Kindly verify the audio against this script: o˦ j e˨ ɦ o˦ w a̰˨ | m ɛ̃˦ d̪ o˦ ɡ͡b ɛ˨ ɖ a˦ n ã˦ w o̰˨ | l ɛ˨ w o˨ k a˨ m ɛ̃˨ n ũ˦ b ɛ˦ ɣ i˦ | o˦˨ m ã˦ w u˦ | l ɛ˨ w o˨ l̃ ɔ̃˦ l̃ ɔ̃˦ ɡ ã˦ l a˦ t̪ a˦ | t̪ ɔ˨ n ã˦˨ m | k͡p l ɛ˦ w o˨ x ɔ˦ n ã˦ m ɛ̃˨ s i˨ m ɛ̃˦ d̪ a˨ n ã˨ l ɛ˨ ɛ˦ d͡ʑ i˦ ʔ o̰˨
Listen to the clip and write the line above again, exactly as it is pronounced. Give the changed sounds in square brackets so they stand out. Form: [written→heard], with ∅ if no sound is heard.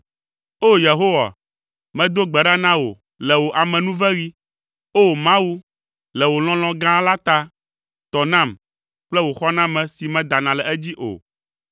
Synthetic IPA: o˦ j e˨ ɦ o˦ w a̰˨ | m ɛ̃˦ d̪ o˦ ɡ͡b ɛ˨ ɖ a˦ n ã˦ w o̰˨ | l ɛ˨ w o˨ [k→ʔ] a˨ m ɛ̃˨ n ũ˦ [b→v] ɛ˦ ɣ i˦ | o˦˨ m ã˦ w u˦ | l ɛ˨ w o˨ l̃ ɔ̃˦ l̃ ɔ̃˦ ɡ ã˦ l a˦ t̪ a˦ | t̪ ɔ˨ n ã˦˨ m | k͡p l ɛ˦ w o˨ x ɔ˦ n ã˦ m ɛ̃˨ s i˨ m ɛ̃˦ d̪ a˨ n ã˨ l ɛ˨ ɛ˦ d͡ʑ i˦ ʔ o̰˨